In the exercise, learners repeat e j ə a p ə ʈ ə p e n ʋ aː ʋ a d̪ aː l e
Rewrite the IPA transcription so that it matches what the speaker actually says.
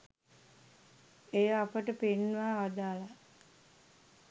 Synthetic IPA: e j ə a p ə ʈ ə p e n ʋ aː ʋ a d̪ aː l a